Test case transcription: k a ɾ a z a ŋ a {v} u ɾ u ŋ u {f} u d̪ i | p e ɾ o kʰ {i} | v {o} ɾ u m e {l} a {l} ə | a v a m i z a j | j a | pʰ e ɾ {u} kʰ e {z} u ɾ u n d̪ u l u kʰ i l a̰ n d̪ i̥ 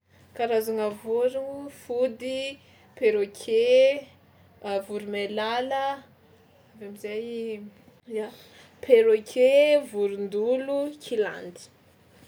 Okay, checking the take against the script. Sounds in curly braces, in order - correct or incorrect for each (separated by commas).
correct, correct, incorrect, incorrect, correct, correct, incorrect, incorrect